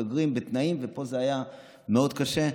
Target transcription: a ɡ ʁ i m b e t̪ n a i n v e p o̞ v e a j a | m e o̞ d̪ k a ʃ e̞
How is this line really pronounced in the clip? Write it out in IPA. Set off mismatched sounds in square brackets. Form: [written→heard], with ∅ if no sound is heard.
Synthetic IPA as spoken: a ɡ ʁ i m b e t̪ n a i [n→m] v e p o̞ [v→z] e a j a | m e o̞ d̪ k a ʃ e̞